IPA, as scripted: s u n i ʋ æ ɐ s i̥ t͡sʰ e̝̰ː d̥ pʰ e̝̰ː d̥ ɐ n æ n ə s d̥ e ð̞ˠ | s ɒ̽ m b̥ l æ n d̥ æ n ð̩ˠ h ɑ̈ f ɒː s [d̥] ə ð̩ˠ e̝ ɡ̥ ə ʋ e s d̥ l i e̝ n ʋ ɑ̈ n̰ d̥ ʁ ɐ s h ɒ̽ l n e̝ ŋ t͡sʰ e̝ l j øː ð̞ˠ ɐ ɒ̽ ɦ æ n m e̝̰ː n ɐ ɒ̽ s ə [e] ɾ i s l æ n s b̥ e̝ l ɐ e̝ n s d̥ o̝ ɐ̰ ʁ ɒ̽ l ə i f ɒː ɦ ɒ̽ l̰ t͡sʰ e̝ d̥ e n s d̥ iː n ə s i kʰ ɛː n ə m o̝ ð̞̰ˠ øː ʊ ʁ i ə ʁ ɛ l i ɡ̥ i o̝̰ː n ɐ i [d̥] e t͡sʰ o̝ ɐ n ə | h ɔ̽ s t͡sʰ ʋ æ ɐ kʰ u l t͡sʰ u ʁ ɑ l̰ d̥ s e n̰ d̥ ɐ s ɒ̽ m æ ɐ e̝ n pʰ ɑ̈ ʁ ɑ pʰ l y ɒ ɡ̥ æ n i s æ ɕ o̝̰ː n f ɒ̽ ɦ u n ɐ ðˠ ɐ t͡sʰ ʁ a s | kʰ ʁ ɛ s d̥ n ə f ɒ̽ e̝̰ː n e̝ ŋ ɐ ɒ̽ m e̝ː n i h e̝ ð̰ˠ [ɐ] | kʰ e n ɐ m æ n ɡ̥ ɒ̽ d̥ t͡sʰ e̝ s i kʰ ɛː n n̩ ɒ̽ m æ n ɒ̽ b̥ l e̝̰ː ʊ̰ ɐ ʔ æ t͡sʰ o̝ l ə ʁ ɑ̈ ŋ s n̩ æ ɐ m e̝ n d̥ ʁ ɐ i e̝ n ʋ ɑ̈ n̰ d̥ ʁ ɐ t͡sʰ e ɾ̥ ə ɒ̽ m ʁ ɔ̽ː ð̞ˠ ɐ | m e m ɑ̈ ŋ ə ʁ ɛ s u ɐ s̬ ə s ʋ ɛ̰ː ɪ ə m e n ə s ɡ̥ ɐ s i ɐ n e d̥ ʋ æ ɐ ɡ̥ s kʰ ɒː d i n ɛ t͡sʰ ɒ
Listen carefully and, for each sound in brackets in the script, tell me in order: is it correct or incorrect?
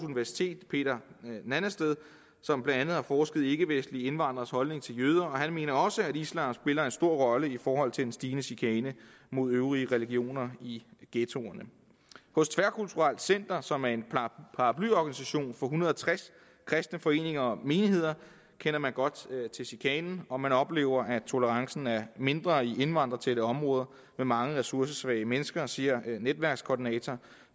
incorrect: ɡ̥, incorrect: æ, incorrect: ɡ̥, correct

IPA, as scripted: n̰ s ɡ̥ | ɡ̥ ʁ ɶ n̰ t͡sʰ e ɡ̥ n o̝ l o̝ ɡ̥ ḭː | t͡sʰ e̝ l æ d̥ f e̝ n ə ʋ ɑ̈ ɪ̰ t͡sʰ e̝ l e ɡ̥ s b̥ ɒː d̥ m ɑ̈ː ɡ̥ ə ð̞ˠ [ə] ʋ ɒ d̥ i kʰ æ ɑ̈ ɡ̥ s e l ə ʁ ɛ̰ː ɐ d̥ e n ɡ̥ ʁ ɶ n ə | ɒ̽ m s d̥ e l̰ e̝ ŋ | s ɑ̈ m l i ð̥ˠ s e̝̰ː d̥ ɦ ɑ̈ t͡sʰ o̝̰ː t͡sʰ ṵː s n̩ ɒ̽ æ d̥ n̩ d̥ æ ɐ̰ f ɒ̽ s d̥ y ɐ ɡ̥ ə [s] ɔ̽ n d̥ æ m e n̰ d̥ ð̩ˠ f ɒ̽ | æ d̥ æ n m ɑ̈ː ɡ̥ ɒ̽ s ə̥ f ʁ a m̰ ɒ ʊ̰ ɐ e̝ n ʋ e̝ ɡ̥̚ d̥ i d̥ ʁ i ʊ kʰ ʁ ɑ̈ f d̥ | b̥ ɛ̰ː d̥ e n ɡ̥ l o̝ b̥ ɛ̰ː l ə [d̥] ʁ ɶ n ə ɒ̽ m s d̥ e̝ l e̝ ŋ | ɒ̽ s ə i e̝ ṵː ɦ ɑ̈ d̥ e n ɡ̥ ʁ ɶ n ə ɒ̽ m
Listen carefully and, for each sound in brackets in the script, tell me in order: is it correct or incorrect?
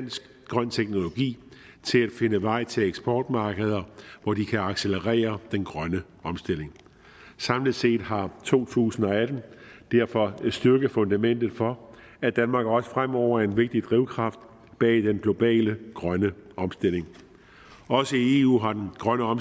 incorrect: ɐ, incorrect: f, incorrect: ɡ̥

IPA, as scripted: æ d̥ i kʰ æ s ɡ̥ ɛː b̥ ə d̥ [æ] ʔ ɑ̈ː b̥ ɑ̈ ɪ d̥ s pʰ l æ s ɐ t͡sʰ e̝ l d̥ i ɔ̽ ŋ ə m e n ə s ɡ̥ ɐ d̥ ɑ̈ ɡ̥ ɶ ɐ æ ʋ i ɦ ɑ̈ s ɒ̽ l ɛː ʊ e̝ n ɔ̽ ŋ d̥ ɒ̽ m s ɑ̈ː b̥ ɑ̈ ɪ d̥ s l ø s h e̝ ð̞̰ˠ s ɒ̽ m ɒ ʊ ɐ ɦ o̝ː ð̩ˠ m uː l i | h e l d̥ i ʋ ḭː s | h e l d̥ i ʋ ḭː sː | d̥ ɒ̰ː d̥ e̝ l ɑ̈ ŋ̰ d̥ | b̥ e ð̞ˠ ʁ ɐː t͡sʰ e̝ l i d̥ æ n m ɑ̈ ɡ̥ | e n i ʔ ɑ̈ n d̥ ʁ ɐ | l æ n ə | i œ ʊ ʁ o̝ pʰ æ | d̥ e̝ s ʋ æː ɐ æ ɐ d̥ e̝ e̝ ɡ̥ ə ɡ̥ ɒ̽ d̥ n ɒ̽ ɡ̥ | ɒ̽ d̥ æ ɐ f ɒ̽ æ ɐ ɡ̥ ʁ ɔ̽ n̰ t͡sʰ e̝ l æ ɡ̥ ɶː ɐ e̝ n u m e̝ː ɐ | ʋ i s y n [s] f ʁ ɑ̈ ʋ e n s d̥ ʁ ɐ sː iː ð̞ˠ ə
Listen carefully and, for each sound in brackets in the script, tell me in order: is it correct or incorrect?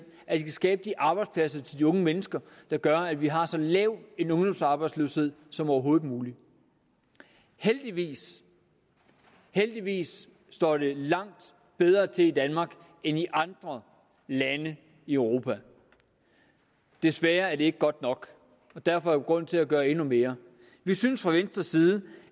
incorrect: i, correct

